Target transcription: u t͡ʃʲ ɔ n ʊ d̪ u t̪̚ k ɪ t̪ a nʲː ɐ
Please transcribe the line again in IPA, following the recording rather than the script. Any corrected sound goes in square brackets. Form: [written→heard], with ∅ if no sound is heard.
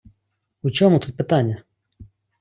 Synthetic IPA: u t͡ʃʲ ɔ [n→m] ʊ [d̪→t̪] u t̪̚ [k→p] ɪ t̪ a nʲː ɐ